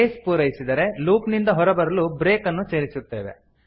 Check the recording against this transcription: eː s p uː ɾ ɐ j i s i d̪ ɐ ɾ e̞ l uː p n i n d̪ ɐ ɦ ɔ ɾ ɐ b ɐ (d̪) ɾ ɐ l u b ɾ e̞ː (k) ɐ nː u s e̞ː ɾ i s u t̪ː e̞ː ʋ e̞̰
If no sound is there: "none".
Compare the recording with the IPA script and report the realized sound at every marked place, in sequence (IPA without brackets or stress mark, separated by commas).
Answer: none, k